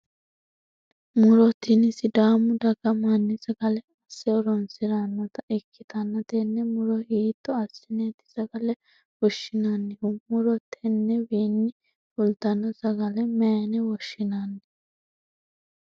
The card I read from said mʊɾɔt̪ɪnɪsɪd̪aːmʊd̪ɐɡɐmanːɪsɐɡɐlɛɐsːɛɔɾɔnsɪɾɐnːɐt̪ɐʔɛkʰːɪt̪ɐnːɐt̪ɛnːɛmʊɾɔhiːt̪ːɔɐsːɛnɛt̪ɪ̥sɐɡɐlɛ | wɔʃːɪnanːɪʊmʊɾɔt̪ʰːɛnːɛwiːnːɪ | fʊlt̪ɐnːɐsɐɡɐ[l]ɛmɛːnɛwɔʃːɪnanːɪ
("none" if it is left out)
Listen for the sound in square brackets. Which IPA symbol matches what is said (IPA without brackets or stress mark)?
l